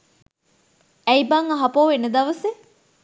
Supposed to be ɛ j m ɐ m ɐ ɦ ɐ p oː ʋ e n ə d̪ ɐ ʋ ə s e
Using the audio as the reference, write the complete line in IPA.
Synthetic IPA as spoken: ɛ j b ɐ ŋ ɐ ɦ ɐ p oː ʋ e n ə d̪ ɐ ʋ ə s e